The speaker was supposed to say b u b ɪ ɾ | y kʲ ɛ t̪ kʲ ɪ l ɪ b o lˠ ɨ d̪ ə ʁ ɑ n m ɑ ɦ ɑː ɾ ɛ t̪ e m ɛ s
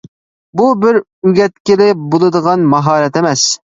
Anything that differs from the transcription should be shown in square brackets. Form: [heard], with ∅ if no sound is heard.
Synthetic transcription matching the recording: b u b ɪ ɾ | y [ɡʲ] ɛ t̪ kʲ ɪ l ɪ b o lˠ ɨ d̪ ə ʁ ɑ n m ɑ ɦ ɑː ɾ ɛ t̪ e m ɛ s